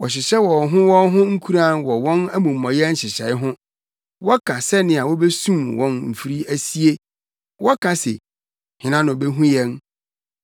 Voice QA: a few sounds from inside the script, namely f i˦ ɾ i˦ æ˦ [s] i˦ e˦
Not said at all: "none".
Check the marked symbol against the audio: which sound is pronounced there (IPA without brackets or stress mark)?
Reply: s